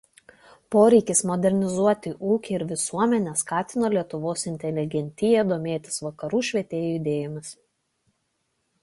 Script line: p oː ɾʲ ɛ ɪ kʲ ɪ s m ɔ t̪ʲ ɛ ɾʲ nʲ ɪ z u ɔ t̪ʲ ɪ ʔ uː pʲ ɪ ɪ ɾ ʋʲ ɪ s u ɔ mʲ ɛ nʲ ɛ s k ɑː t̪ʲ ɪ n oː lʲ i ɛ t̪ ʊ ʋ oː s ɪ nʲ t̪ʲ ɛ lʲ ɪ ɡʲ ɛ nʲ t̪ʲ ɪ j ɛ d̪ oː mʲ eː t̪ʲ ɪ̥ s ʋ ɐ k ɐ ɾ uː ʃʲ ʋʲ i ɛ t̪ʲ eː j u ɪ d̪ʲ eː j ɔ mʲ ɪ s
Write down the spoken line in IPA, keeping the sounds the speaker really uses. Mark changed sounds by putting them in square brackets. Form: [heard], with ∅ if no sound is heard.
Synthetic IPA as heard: p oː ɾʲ ɛ ɪ kʲ ɪ s m ɔ [d̪ʲ] ɛ ɾʲ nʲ ɪ z u ɔ t̪ʲ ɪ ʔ uː [kʲ] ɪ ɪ ɾ ʋʲ ɪ s u ɔ mʲ ɛ nʲ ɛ s k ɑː t̪ʲ ɪ n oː lʲ i ɛ t̪ ʊ ʋ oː s ɪ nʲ t̪ʲ ɛ lʲ ɪ ɡʲ ɛ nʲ t̪ʲ ɪ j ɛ d̪ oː mʲ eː t̪ʲ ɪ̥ s ʋ ɐ k ɐ ɾ uː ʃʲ ʋʲ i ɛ t̪ʲ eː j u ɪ d̪ʲ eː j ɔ mʲ ɪ s